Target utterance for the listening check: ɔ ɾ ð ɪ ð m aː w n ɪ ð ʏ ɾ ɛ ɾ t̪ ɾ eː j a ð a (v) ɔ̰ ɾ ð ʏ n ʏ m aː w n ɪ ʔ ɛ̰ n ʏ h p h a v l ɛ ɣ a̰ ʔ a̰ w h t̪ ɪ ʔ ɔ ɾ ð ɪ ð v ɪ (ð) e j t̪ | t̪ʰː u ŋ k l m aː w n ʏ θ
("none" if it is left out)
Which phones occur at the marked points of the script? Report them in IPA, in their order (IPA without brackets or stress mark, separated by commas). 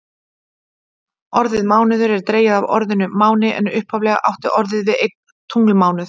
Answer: v, ð